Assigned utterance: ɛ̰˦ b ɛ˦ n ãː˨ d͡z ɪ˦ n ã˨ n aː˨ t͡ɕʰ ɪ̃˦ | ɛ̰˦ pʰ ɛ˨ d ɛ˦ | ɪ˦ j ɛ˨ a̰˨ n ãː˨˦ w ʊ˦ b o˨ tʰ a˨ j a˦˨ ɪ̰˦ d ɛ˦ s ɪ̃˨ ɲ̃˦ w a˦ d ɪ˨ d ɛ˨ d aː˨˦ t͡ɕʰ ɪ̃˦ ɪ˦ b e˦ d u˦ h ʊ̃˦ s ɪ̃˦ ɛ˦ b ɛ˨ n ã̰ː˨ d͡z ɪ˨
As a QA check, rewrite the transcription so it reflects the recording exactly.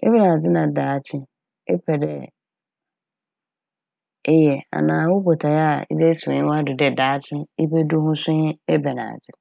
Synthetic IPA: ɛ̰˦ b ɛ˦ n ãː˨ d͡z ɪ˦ n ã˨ d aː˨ t͡ɕʰ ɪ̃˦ | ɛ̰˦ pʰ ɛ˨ d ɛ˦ | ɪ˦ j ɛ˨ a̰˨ n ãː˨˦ w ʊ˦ b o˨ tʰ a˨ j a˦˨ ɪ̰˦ d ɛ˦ s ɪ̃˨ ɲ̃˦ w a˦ d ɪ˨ d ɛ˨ d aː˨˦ t͡ɕʰ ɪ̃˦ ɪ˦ b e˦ d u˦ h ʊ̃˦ s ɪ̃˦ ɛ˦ b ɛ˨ n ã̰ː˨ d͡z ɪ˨